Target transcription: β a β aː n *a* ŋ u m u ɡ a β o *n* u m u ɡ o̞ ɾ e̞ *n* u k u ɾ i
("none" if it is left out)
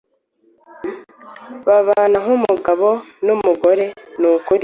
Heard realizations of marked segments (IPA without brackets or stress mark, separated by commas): a, n, n